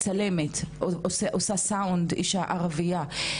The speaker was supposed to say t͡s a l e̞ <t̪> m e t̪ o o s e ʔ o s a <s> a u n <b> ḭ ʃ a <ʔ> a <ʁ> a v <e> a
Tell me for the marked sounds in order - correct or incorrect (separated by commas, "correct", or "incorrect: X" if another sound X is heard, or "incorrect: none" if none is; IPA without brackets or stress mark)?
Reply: incorrect: none, correct, incorrect: d, correct, correct, incorrect: i